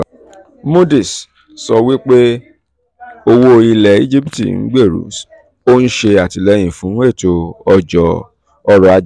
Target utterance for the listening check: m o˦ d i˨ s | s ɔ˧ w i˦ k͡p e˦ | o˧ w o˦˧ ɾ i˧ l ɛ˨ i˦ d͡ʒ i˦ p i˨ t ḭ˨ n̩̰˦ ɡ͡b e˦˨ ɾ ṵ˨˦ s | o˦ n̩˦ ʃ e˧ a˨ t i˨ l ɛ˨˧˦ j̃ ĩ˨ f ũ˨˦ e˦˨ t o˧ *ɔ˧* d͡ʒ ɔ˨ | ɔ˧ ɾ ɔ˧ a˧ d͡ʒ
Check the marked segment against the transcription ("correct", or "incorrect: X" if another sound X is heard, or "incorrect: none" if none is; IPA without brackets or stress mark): correct